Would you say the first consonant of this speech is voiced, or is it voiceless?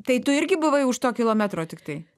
voiceless